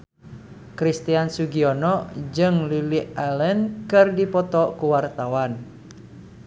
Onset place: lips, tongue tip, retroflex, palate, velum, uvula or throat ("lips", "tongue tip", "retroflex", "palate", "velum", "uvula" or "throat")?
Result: velum